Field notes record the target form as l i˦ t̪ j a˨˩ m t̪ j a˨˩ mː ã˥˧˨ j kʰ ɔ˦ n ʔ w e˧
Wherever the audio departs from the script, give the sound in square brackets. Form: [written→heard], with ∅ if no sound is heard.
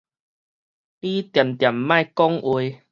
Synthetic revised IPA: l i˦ t̪ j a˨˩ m t̪ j a˨˩ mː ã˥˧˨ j [kʰ→k] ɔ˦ [n→ŋ] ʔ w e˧